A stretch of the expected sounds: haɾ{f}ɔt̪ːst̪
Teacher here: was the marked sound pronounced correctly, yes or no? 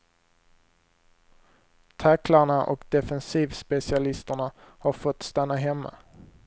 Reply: yes